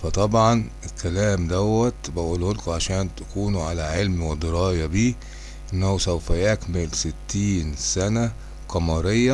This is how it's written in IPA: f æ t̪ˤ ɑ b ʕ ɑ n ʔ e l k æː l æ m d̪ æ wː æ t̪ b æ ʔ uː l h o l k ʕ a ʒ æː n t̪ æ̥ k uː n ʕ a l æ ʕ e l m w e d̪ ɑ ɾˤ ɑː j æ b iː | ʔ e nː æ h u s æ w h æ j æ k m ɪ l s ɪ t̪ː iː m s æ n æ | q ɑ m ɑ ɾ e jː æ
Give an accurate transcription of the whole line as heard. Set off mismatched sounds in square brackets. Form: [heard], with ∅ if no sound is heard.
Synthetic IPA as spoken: f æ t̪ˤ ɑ b ʕ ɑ n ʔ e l k [æ] l [æː] m d̪ æ wː æ t̪ b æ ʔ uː l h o l k ʕ a [ʃ] æː n t̪ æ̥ k uː n ʕ a l æ ʕ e l m w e d̪ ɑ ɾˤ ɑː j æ b iː | ʔ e nː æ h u s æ w [f] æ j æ k m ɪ l s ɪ t̪ː iː [n] s æ n æ | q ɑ m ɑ ɾ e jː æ